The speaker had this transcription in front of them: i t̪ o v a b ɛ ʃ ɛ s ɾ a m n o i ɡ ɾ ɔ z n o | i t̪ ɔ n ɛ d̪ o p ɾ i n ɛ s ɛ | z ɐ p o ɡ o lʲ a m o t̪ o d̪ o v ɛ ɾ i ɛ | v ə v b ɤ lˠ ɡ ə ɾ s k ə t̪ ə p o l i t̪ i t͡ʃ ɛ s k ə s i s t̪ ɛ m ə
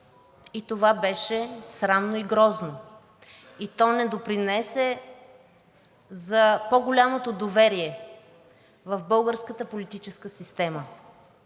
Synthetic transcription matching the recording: i t̪ o v a b ɛ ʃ ɛ s ɾ a m n o i ɡ ɾ ɔ z n o | i t̪ ɔ n ɛ d̪ o p ɾ i n ɛ s ɛ | z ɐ p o ɡ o lʲ a m o t̪ o d̪ o v ɛ ɾ i ɛ | v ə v b ɤ lˠ ɡ ə ɾ s k ə t̪ ə p o l i t̪ i t͡ʃ ɛ s k ə s i s t̪ ɛ m ə